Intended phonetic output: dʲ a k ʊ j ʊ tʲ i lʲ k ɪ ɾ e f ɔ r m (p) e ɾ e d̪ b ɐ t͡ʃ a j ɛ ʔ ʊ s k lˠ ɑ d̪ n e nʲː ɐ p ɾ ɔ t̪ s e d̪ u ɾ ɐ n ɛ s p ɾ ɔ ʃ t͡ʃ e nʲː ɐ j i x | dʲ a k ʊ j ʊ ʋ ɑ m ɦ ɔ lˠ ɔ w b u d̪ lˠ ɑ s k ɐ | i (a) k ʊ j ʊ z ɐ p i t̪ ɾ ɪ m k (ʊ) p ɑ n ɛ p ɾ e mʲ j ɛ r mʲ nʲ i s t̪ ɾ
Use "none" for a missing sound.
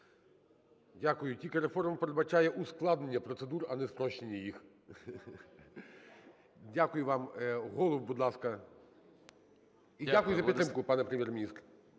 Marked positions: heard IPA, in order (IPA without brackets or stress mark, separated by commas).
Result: p, a, ʊ